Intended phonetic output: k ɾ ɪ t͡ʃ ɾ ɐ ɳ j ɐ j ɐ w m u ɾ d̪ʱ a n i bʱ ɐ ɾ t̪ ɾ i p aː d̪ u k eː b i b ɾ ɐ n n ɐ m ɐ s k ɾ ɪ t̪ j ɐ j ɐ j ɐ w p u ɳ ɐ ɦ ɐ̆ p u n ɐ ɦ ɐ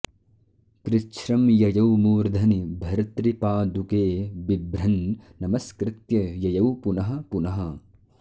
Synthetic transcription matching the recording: k ɾ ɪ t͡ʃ ɾ ɐ m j ɐ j ɐ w m uː ɾ d̪ʱ ɐ n i bʱ ɐ ɾ t̪ ɾ i p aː d̪ u k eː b i b ɾ ɐ n n ɐ m ɐ s k ɾ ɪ t̪ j ɐ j ɐ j ɐ w p u n ɐ ɦ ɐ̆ p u n ɐ ɦ ɐ

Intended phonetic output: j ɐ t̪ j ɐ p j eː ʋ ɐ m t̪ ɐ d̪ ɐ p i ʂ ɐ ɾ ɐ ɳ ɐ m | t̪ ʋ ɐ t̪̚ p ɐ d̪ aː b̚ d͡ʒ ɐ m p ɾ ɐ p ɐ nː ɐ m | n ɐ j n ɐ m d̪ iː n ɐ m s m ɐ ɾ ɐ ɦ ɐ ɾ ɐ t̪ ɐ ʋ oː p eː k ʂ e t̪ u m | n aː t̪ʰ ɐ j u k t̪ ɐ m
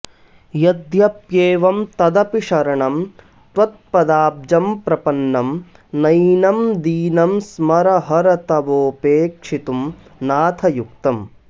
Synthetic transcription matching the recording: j ɐ d̪ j ɐ p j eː ʋ ɐ m t̪ ɐ d̪ ɐ p i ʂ ɐ ɾ ɐ ɳ ɐ m | t̪ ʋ ɐ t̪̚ p ɐ d̪ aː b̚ d͡ʒ ɐ m p ɾ ɐ p ɐ nː ɐ m | n ɐ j n ɐ m d̪ iː n ɐ m s m ɐ ɾ ɐ ɦ ɐ ɾ ɐ t̪ ɐ ʋ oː p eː k ʂ i t̪ u m | n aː t̪ʰ ɐ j u k t̪ ɐ m

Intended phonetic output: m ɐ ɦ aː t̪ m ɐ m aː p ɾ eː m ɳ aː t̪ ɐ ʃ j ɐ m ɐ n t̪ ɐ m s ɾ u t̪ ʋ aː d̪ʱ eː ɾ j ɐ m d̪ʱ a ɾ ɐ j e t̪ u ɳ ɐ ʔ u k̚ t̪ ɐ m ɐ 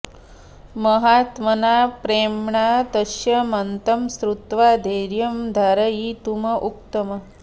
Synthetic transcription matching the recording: m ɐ ɦ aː t̪ m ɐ n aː p ɾ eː m ɳ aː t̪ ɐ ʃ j ɐ m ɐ n t̪ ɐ m s ɾ u t̪ ʋ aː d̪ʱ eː ɾ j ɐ m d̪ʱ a ɾ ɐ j i t̪ u m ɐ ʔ u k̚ t̪ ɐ m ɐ

